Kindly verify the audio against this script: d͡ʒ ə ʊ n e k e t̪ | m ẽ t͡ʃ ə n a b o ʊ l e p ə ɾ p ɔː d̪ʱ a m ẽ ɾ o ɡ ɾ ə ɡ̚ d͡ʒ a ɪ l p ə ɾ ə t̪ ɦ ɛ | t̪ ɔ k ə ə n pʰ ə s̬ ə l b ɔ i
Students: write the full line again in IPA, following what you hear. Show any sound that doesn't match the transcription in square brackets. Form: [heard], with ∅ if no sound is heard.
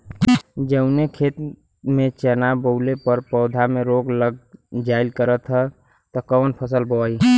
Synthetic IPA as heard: d͡ʒ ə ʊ n e [kʰ] e t̪ | m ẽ t͡ʃ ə n a b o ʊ l e p ə ɾ p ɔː d̪ʱ a m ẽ ɾ o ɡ [l] ə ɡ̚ d͡ʒ a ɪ l [k] ə ɾ ə t̪ ɦ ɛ | t̪ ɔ k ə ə n pʰ ə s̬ ə l b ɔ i